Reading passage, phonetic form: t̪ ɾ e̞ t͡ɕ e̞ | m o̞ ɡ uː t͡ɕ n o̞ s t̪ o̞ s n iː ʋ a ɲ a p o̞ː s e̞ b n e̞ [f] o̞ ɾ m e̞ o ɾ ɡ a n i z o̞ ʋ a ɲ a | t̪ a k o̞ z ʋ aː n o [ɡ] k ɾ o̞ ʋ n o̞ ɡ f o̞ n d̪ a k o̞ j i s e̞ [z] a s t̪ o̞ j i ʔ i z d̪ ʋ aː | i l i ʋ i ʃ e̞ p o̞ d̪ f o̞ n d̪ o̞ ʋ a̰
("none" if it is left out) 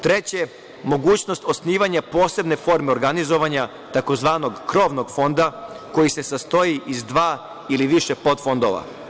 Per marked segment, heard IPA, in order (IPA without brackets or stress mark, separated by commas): f, ɡ, s